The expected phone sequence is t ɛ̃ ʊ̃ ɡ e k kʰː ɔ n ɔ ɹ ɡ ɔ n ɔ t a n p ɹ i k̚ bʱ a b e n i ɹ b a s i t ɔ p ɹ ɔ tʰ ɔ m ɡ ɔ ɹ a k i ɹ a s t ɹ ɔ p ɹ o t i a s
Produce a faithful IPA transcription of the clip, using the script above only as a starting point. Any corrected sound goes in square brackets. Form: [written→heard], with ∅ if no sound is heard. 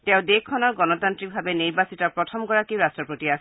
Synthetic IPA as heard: t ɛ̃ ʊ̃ [ɡ→d] e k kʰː ɔ n ɔ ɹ ɡ ɔ n ɔ t a n [p→t] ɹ i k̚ bʱ a b e n i ɹ b a s i t ɔ p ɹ ɔ tʰ ɔ m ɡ ɔ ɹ a k i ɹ a s t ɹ ɔ p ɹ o t i a s